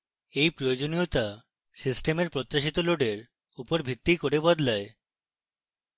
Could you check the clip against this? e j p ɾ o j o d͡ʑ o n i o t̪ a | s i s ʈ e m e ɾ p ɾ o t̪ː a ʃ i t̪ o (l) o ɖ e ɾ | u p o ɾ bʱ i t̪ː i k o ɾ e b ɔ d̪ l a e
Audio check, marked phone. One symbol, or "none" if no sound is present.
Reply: l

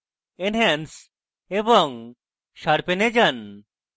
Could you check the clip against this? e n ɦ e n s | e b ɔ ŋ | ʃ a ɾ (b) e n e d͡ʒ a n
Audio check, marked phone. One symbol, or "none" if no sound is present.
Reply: p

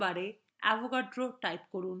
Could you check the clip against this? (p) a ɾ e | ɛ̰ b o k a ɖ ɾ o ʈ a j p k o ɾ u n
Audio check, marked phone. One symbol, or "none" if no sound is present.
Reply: b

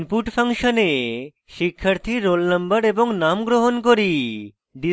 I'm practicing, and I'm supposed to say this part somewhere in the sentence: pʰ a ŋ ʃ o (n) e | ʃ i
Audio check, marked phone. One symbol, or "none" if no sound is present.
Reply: n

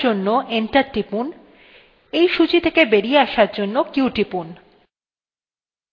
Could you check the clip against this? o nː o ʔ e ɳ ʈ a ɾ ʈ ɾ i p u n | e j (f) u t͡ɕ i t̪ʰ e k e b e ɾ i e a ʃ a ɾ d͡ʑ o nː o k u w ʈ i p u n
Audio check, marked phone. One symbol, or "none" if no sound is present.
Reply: ʃ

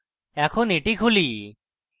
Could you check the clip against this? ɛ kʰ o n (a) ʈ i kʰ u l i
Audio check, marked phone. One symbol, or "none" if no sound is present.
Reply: e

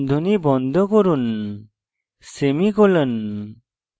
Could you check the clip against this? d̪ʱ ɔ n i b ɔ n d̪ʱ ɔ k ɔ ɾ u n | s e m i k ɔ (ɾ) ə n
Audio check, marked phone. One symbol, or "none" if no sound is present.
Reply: l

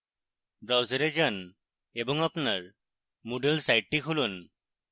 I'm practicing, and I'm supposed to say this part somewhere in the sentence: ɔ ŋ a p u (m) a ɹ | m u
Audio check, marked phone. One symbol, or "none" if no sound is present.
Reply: n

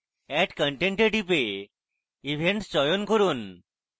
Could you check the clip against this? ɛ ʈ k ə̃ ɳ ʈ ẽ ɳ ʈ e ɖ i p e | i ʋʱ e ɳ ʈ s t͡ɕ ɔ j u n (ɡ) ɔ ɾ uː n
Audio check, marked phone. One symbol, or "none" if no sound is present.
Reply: k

